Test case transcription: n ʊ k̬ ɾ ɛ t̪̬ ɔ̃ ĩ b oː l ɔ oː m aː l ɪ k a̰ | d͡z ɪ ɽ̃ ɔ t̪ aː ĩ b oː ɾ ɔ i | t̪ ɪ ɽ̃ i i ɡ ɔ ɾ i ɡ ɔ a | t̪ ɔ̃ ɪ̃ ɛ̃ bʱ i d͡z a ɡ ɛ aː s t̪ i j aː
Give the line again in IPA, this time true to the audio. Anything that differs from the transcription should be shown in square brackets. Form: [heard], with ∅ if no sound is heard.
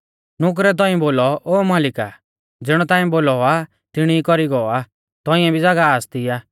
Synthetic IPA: n ʊ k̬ ɾ ɛ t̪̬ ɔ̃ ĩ b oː l ɔ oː m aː l ɪ k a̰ | d͡z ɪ ɽ̃ ɔ t̪ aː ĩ b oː [l] ɔ [a] | t̪ ɪ ɽ̃ i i [k] ɔ ɾ i ɡ ɔ a | t̪ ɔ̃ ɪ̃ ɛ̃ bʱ i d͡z a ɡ [a] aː s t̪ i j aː